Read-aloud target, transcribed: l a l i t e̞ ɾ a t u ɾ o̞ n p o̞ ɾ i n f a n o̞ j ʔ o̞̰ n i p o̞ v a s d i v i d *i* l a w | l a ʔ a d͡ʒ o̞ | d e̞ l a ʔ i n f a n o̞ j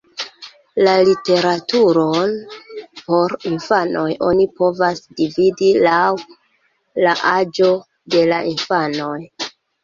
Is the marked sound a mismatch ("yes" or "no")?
no